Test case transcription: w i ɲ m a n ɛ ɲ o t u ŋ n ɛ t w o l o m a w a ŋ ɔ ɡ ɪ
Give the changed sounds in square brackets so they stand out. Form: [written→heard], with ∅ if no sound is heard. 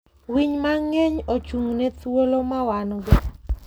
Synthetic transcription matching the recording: w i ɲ m a [n→ŋ] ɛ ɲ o [t→t͡ʃ] u ŋ n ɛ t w o l o m a w a [ŋ→n] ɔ ɡ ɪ